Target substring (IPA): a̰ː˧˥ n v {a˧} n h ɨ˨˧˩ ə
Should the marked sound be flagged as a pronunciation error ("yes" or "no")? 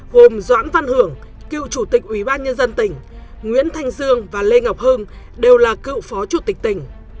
no